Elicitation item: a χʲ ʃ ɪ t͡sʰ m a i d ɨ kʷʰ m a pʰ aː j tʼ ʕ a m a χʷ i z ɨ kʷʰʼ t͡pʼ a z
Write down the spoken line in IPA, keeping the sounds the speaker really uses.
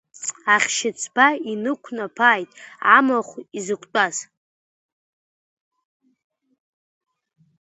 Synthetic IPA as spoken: a χʲ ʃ ɪ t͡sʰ b a i n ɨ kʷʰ n a pʰ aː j tʼ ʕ a m a χʷ i z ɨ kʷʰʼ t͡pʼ a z